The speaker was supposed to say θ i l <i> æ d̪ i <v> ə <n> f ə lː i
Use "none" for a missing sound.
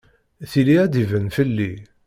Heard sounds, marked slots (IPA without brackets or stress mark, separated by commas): i, v, n